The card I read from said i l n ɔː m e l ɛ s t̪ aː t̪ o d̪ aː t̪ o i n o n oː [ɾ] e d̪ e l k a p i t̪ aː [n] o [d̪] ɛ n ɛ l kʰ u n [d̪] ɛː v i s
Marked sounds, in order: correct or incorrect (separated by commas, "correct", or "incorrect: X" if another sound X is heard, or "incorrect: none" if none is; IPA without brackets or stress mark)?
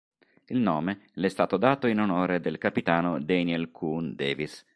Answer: correct, correct, correct, correct